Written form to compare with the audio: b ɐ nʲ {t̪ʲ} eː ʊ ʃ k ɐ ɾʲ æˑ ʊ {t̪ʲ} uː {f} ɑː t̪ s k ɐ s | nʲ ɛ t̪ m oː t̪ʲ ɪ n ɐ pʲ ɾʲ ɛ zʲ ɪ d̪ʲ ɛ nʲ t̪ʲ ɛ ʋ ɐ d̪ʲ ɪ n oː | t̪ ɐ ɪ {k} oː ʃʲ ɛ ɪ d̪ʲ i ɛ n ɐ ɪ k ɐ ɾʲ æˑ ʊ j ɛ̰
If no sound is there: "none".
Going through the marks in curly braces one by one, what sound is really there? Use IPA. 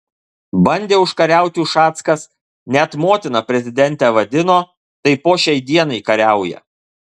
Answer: d̪ʲ, t̪ʲ, ʃ, p

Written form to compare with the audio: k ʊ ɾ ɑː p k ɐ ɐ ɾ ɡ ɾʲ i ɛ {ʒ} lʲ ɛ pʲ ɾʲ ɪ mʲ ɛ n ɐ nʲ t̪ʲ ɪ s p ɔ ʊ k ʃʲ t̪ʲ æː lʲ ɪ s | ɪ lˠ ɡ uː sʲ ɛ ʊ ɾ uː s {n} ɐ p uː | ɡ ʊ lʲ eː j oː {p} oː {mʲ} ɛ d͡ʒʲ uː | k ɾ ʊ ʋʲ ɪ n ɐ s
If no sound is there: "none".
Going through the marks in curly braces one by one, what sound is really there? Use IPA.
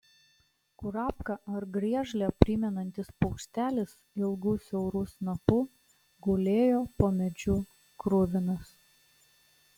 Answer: ʒ, n, p, mʲ

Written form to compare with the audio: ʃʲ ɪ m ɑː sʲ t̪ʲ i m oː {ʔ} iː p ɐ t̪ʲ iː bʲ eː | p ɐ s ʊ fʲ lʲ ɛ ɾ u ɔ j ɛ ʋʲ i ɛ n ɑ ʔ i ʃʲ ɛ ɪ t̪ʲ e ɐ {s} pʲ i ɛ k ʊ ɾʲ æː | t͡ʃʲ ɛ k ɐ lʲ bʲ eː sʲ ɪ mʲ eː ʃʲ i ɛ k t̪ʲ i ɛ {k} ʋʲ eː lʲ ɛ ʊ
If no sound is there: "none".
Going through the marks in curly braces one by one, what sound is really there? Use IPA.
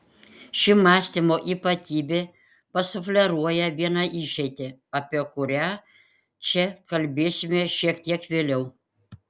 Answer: ʔ, none, k

